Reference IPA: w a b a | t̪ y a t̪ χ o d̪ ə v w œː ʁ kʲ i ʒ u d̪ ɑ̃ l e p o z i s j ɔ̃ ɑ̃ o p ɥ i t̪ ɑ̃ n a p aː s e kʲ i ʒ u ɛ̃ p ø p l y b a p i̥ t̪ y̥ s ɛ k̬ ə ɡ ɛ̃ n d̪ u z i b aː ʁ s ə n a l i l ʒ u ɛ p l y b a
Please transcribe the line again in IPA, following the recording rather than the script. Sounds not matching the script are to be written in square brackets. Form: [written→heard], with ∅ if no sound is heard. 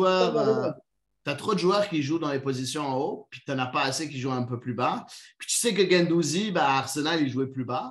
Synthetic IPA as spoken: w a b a | t̪ y a t̪ χ o d̪ ə [v→ʒ] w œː ʁ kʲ i ʒ u d̪ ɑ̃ l e p o z i s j ɔ̃ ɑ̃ o p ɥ i t̪ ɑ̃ n a p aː s e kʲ i ʒ u ɛ̃ p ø p l y b a p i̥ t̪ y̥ s ɛ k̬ ə ɡ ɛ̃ n d̪ u z i b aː ʁ s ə n a l i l ʒ u ɛ p l y b a